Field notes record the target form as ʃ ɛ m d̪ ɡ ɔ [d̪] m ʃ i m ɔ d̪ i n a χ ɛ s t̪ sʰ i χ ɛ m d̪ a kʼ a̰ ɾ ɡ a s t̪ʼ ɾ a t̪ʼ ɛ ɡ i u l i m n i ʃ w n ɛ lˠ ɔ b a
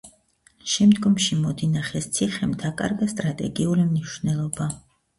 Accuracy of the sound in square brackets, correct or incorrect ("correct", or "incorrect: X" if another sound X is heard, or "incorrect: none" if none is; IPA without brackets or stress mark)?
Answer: incorrect: none